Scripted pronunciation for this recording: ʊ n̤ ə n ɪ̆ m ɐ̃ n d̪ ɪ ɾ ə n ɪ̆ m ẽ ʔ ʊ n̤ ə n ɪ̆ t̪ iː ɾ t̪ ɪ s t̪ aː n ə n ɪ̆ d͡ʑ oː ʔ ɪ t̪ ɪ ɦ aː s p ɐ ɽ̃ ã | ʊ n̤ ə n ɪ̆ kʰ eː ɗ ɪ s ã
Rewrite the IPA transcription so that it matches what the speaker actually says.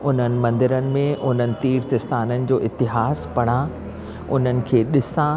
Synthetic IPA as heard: ʊ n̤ ə n ɪ̆ m ɐ̃ n d̪ ɪ ɾ ə n ɪ̆ m ẽ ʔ ʊ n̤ ə n ɪ̆ t̪ iː ɾ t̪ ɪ s t̪ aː n ə n ɪ̆ d͡ʑ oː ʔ ɪ t̪ ɪ ɦ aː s p ɐ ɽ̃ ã | ʊ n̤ ə n ɪ̆ kʰ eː ɗ ɪ s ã